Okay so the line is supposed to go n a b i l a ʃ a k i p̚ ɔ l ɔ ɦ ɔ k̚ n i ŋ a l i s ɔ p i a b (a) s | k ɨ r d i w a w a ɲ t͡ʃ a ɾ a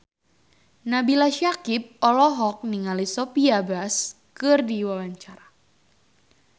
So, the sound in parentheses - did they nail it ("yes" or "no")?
yes